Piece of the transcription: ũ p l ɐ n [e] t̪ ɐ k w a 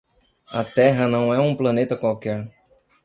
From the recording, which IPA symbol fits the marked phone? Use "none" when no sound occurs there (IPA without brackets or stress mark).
e